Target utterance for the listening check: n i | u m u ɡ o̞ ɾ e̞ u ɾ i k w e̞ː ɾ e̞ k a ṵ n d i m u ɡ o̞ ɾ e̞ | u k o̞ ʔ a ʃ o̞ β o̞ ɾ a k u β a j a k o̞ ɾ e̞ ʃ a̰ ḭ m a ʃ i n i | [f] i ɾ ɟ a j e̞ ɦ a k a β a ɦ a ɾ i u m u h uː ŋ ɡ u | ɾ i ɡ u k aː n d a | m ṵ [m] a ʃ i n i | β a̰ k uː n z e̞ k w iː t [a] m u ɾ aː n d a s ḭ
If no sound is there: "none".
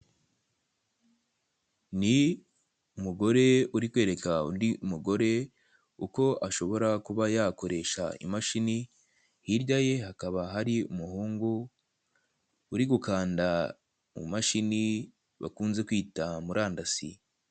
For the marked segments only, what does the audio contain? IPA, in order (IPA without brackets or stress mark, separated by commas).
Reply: h, m, a